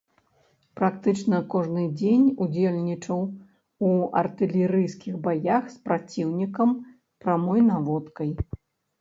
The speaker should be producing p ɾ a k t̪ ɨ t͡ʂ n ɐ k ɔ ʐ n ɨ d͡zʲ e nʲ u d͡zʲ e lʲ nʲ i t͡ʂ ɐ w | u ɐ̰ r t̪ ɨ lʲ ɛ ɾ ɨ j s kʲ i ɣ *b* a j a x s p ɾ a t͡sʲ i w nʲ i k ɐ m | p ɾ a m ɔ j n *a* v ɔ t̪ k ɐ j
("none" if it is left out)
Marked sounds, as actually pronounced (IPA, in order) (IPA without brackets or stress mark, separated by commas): b, a